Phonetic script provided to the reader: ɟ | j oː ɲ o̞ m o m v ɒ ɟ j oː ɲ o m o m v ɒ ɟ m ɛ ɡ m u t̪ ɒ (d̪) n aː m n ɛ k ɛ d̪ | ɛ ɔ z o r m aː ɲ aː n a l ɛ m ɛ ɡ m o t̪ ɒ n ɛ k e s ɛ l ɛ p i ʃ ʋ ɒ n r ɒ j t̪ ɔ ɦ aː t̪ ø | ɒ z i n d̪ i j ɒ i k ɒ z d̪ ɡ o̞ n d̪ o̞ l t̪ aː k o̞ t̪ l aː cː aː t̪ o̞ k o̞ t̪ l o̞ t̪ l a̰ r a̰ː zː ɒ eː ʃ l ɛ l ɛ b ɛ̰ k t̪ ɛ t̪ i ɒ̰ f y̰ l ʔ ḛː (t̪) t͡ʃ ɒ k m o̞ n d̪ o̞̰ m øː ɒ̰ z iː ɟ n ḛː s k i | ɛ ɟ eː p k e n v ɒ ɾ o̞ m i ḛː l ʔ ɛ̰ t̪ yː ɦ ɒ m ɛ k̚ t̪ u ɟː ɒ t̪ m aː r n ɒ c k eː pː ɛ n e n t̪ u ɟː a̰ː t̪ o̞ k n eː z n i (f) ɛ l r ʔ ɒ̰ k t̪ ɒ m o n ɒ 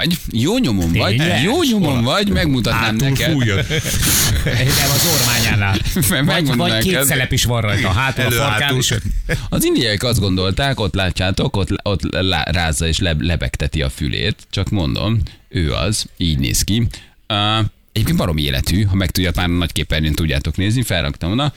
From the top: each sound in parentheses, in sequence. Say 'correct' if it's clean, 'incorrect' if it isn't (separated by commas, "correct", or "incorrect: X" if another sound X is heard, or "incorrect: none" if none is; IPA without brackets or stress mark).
incorrect: t̪, correct, correct